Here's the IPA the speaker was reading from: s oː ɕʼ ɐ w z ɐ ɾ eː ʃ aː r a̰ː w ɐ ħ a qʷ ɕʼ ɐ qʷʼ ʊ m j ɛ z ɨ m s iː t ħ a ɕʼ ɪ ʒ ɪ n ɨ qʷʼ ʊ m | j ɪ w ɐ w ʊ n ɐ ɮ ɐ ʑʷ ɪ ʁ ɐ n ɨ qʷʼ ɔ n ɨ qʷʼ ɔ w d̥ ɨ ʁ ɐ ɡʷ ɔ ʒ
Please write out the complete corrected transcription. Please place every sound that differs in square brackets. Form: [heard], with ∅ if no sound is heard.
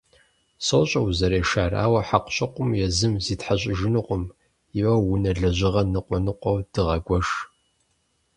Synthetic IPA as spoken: s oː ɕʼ ɐ w z ɐ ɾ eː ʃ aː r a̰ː w ɐ ħ a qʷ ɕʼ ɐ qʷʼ ʊ m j ɛ z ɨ m [z] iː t ħ a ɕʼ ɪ ʒ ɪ n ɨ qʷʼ ʊ m | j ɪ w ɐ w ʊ n ɐ ɮ ɐ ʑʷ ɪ ʁ ɐ n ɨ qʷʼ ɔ n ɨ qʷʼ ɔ w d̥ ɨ ʁ ɐ ɡʷ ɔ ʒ